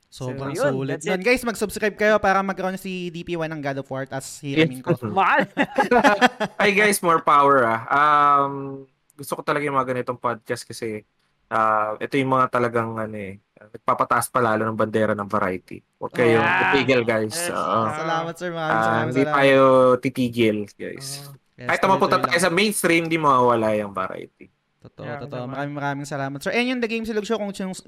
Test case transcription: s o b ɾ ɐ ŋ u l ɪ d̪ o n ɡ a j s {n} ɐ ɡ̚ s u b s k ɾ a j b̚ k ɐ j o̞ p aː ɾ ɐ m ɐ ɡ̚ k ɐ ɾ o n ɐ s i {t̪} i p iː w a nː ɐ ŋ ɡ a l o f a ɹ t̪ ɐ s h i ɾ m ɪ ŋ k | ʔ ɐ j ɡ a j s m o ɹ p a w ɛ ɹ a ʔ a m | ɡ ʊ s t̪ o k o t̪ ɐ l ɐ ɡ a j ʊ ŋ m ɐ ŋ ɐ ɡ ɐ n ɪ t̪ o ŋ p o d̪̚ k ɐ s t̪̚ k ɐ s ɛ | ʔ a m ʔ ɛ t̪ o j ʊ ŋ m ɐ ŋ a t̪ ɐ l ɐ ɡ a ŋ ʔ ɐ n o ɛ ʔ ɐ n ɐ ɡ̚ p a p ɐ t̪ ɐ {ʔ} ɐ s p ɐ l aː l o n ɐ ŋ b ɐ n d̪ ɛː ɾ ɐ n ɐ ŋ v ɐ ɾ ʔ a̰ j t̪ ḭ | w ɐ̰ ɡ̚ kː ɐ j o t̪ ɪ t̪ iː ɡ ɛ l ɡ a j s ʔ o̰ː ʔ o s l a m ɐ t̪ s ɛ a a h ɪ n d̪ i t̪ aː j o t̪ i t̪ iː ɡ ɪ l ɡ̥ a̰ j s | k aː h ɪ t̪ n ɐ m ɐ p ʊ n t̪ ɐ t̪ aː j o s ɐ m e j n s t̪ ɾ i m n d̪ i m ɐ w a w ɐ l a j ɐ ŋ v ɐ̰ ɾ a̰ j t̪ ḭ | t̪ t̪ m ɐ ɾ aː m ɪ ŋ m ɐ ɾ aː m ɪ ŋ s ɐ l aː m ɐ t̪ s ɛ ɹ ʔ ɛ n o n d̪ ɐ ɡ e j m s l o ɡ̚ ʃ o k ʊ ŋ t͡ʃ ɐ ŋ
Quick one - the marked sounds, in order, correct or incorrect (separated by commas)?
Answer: incorrect, incorrect, correct